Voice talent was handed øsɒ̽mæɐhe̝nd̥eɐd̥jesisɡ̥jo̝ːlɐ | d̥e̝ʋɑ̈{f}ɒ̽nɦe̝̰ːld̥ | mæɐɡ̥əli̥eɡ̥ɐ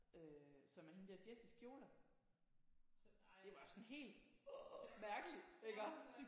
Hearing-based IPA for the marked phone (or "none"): s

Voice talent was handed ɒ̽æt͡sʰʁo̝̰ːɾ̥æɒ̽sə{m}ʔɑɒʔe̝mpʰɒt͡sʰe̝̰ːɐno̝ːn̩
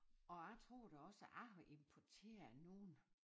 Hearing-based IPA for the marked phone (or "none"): none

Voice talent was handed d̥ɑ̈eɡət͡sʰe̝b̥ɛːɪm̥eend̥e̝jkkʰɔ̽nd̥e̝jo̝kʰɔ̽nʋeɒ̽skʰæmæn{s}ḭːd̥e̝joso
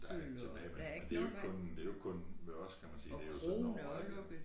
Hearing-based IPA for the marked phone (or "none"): s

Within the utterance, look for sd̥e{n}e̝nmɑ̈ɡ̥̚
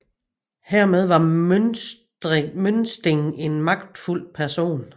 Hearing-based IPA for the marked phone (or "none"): ŋ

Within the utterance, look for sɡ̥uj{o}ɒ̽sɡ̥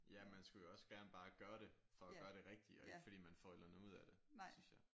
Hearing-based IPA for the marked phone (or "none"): o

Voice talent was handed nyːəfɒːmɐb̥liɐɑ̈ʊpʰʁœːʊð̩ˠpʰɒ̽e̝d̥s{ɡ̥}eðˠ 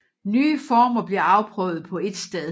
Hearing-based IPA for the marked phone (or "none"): d̥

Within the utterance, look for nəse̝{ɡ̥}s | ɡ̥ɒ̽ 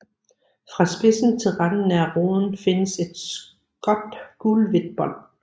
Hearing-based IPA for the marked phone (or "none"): d̥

